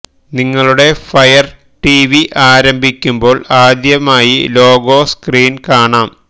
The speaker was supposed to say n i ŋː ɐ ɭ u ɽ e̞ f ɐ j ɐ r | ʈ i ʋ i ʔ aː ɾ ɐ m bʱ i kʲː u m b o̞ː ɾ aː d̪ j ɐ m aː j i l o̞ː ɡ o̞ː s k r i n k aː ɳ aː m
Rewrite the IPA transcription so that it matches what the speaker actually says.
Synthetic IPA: n i ŋː ɐ ɭ u ɽ e̞ f ɐ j ɐ r | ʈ i ʋ i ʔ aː ɾ ɐ m bʱ i kʲː u m b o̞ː ɭ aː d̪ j ɐ m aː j i l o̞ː ɡ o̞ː s k r iː n k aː ɳ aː m